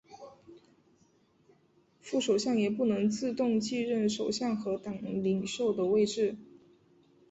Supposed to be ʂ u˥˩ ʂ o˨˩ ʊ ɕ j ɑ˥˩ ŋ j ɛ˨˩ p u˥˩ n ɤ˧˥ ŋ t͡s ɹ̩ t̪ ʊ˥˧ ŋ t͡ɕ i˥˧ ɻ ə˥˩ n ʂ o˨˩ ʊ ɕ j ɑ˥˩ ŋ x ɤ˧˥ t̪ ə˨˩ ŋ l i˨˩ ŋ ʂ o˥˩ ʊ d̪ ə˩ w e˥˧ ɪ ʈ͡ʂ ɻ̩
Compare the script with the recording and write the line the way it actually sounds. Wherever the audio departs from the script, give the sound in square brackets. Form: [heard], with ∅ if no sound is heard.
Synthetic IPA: [f] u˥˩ ʂ o˨˩ ʊ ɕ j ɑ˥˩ ŋ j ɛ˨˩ p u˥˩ n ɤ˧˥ ŋ t͡s ɹ̩ t̪ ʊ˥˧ ŋ t͡ɕ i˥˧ ɻ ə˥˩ n ʂ o˨˩ ʊ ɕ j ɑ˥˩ ŋ x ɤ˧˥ t̪ [ɑ˨˩] ŋ l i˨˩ ŋ ʂ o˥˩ ʊ d̪ ə˩ w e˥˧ ɪ ʈ͡ʂ ɻ̩